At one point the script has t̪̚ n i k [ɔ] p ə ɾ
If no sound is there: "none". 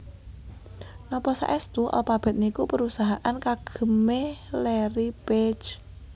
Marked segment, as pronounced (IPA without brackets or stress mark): u